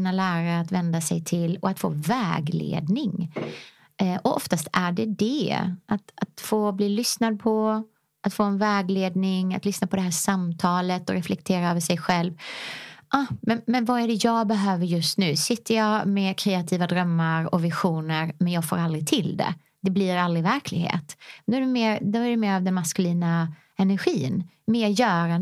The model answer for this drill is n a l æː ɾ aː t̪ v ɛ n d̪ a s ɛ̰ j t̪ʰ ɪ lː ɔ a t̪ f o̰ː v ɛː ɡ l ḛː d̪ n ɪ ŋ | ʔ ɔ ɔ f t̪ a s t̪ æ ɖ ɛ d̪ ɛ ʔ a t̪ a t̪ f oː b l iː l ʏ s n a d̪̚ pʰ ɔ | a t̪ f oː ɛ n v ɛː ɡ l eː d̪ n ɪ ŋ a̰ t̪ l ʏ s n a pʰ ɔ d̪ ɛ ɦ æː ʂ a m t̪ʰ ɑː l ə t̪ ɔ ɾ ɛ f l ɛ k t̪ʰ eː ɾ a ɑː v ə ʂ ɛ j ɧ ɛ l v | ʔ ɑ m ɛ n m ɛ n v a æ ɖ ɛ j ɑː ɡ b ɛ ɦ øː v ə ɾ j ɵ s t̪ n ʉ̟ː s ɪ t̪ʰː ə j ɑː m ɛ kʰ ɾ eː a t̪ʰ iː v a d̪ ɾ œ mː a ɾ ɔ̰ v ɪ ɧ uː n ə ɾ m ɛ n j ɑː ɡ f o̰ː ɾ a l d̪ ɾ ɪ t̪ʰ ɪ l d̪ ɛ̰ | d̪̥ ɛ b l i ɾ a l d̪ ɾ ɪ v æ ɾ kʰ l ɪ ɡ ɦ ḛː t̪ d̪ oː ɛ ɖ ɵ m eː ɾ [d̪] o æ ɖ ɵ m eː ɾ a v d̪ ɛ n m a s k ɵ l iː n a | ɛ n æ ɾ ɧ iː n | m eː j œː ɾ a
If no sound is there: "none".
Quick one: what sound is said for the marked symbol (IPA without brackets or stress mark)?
d̪